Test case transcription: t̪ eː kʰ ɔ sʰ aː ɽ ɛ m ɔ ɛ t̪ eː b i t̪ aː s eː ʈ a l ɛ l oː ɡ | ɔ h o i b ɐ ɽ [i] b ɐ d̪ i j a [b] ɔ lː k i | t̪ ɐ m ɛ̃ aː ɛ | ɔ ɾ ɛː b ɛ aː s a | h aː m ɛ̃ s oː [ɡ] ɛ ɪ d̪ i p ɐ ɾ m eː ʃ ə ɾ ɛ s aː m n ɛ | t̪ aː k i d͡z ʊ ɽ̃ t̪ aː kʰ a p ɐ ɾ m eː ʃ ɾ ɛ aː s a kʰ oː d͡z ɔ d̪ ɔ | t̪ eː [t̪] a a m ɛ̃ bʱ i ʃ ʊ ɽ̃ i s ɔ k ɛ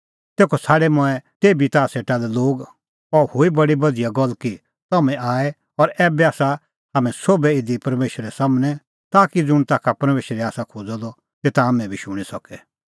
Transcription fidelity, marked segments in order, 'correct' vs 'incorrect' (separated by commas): correct, incorrect, incorrect, correct